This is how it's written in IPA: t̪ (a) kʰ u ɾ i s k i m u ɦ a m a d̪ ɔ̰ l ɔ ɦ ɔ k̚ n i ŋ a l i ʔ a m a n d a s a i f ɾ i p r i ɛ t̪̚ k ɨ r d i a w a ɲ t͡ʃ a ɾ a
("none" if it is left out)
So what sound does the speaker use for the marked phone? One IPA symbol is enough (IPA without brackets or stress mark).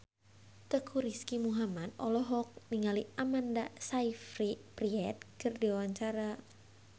ə